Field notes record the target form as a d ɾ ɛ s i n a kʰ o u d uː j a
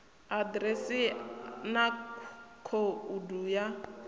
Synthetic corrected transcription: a d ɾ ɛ s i n a kʰ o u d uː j a